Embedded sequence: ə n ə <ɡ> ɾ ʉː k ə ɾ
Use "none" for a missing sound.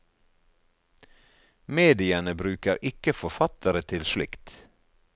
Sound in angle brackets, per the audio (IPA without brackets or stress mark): b